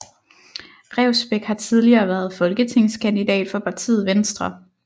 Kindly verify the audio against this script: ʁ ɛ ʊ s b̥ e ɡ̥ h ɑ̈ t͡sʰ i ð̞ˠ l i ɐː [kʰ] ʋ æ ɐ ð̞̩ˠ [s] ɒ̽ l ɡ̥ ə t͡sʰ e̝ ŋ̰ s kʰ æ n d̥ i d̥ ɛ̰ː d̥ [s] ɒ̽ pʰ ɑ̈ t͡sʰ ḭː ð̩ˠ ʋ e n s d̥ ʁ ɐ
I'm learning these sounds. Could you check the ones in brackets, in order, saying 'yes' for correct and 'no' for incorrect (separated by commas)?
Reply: no, no, no